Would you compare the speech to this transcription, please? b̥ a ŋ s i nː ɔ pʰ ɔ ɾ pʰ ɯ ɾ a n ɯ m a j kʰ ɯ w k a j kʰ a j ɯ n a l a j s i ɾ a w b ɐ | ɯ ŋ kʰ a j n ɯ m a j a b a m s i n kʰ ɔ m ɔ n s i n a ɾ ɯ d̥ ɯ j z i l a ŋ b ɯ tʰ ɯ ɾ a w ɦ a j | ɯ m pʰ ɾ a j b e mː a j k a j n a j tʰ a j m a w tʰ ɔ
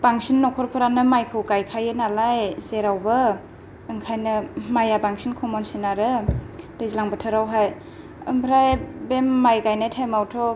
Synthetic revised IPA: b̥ a ŋ s i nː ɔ kʰ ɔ ɾ pʰ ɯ ɾ a n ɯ m a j kʰ ɯ w k a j kʰ a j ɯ n a l a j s e ɾ a w b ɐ | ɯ ŋ kʰ a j n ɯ m a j a b a ŋ s i n kʰ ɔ m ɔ n s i n a ɾ ɯ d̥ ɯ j z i l a ŋ b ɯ tʰ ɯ ɾ a w ɦ a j | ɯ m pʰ ɾ a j b e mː a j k a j n a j tʰ a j m a w tʰ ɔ

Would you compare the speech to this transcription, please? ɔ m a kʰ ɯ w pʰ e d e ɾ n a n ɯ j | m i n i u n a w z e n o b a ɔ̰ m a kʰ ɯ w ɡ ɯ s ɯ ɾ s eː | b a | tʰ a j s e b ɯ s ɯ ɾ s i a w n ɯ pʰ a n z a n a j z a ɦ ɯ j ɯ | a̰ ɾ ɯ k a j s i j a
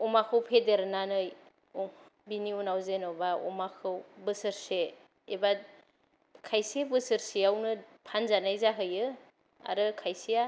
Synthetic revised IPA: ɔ m a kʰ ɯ w pʰ e d e ɾ n a n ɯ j | b i n i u n a w z e n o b a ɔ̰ m a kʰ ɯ w b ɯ s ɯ ɾ s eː | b a | kʰ a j s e b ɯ s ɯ ɾ s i a w n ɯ pʰ a n z a n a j z a ɦ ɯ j ɯ | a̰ ɾ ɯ kʰ a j s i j a

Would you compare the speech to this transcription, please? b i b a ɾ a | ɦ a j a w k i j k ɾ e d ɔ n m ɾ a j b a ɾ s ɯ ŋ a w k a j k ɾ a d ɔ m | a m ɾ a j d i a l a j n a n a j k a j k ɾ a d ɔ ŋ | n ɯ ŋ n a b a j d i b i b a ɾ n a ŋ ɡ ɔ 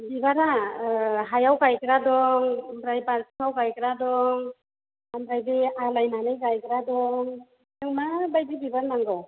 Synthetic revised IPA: b i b a ɾ a | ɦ a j a w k a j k ɾ a d ɔ ŋ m ɾ a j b a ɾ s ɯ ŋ a w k a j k ɾ a d ɔ ŋ | a m ɾ a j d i a l a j n a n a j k a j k ɾ a d ɔ ŋ | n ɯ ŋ m a b a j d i b i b a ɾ n a ŋ ɡ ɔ

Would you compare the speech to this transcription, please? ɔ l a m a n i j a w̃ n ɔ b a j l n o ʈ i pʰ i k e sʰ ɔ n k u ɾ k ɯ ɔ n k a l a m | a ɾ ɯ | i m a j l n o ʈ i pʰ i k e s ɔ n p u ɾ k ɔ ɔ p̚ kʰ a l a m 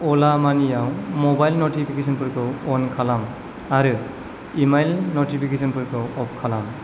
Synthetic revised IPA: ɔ l a m a n i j a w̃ m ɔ b a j l n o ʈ i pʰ i k e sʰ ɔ n p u ɾ k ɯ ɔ n kʰ a l a m | a ɾ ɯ | i m a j l n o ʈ i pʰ i k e s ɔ n p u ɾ k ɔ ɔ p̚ kʰ a l a m

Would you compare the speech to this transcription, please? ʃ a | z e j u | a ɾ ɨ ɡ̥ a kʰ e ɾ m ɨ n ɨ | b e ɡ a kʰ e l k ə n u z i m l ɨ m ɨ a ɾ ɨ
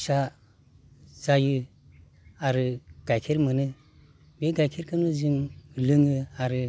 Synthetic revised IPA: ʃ a | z a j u | a ɾ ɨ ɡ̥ a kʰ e ɾ m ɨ n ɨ | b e ɡ a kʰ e ɾ k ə n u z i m l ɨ ŋ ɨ a ɾ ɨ

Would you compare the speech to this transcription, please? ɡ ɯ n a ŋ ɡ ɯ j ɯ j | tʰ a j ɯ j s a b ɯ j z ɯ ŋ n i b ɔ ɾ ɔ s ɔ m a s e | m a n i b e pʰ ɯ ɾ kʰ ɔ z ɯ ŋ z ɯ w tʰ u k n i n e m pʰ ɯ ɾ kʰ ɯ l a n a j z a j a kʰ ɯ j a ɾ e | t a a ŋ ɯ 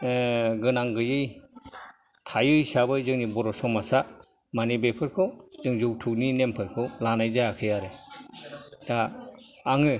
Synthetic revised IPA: ɡ ɯ n a ŋ ɡ ɯ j ɯ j | tʰ a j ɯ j s a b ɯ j z ɯ ŋ n i b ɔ ɾ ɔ s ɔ m a s a | m a n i b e pʰ ɯ ɾ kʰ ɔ z ɯ ŋ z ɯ w tʰ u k n i n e m pʰ ɯ ɾ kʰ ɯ l a n a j z a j a kʰ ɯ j a ɾ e | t a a ŋ ɯ

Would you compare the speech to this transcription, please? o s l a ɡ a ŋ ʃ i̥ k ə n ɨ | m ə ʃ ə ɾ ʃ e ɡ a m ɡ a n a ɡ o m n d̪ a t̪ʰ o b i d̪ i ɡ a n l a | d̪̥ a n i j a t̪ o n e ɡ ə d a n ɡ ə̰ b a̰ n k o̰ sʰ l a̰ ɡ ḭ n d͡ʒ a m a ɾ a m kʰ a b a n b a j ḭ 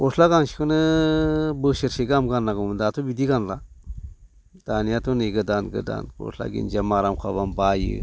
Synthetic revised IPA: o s l a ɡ a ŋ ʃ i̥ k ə n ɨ | b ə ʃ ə ɾ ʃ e ɡ a m ɡ a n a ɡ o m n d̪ a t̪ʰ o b i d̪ i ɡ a n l a | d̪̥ a n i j a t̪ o n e ɡ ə d a n ɡ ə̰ d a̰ n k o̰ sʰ l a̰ ɡ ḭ n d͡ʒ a m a ɾ a m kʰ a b a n b a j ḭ

